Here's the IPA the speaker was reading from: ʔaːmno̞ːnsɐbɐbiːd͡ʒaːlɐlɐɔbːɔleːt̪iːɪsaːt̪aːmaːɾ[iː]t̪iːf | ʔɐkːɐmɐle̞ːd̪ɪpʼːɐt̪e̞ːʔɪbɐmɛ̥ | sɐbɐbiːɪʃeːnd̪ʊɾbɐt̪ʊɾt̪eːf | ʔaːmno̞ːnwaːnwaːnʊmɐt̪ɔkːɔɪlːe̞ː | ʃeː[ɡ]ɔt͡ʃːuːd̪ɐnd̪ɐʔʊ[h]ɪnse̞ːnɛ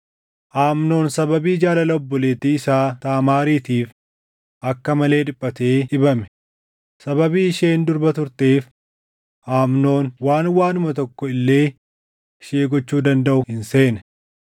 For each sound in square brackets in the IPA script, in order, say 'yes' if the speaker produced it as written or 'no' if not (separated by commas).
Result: yes, yes, yes